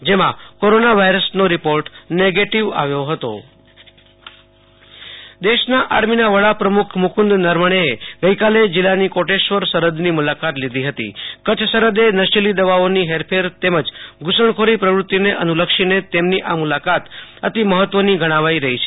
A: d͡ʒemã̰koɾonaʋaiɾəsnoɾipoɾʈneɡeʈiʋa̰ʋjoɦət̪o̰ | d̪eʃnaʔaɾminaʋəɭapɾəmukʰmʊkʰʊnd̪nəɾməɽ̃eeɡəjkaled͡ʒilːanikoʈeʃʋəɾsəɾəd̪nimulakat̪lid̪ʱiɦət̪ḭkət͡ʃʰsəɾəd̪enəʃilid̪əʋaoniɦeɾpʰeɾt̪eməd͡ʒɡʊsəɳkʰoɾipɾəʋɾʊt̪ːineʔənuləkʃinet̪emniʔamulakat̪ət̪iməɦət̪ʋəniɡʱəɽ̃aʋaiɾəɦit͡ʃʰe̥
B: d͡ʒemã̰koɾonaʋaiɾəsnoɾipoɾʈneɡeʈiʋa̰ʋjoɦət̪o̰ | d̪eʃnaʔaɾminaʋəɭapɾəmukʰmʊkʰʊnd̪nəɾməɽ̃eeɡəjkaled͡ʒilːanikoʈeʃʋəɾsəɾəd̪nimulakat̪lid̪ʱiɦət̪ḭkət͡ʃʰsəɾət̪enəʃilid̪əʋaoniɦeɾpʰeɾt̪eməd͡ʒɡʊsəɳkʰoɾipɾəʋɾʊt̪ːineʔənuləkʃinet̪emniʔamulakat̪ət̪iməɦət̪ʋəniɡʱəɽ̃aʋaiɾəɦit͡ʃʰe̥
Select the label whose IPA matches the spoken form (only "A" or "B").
A